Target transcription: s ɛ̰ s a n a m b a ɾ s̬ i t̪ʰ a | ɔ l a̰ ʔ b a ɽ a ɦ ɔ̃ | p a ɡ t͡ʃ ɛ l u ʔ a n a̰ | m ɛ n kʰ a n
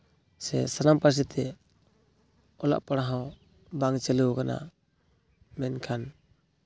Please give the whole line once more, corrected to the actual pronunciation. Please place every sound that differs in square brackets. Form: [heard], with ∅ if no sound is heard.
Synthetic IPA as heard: s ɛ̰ s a n a m [p] a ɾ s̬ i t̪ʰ [ɛ] | ɔ l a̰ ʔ [p] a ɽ a ɦ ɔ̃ | [b] a [ŋ] t͡ʃ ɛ l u [k] a n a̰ | m ɛ n kʰ a n